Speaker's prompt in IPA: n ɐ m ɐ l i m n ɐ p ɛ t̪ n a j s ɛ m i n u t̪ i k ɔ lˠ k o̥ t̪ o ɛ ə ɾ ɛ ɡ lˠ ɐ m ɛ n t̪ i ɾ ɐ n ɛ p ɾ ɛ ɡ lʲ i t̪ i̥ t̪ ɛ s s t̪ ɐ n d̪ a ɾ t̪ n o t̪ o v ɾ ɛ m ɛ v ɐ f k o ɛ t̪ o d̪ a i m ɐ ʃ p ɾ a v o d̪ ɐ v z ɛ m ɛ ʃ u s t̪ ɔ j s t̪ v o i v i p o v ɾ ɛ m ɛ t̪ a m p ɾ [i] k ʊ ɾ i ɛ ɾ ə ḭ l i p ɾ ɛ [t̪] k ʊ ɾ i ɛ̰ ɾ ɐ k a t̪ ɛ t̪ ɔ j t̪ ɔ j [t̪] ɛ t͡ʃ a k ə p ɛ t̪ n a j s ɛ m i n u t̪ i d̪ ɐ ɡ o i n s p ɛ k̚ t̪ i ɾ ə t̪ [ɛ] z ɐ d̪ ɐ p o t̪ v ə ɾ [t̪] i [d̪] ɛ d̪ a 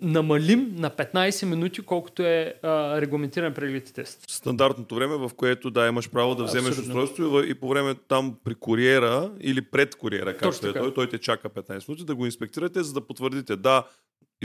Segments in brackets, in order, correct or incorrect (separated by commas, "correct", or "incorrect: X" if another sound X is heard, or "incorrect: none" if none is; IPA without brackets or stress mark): correct, correct, correct, correct, incorrect: d̪, incorrect: t̪